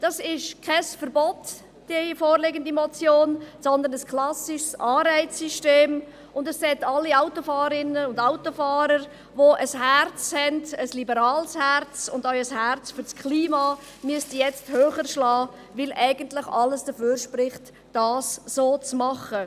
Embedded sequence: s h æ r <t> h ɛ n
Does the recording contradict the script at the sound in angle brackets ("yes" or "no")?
yes